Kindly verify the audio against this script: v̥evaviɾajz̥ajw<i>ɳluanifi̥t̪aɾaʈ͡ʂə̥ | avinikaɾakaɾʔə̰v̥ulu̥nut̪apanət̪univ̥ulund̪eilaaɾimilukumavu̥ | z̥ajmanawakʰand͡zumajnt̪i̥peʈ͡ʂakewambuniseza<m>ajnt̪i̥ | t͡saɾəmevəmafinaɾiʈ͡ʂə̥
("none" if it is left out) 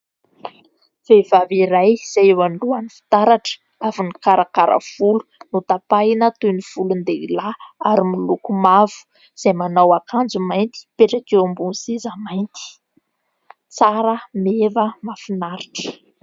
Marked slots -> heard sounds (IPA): a, m

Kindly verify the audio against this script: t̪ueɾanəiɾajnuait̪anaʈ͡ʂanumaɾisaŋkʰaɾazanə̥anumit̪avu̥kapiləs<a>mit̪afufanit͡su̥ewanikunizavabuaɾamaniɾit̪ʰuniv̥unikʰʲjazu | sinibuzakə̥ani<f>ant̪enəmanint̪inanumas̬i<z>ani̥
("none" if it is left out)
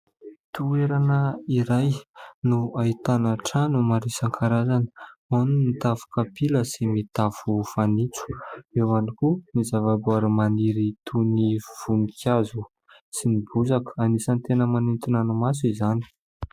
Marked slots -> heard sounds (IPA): i, s, z

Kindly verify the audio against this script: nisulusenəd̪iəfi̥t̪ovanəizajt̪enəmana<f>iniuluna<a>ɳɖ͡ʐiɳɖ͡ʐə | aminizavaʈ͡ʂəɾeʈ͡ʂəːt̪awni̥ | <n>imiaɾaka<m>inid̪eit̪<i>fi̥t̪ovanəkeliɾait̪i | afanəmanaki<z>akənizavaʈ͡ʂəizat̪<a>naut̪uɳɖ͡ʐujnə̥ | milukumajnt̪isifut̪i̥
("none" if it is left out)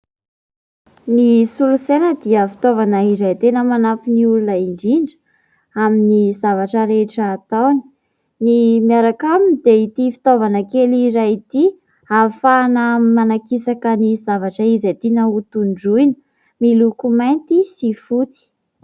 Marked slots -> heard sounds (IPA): f, i, n, m, i, s, i

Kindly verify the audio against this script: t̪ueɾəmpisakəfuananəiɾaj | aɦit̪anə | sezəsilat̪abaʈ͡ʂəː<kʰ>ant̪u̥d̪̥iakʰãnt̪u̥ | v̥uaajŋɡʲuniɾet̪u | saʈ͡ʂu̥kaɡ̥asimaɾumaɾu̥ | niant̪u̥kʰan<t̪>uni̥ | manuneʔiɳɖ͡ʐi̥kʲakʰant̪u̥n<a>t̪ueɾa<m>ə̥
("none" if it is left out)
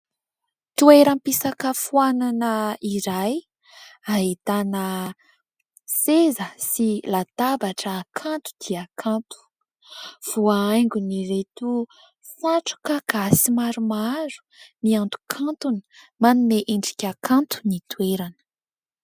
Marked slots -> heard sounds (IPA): kʰ, t̪, i, n

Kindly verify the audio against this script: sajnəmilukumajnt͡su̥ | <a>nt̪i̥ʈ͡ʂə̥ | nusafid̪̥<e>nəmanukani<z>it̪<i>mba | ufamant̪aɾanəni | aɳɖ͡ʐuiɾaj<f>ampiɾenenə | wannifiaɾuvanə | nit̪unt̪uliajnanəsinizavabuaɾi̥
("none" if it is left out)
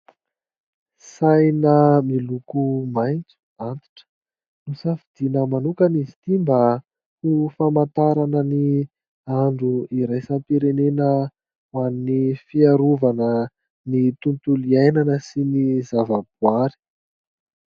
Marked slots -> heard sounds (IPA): a, i, z, i, s

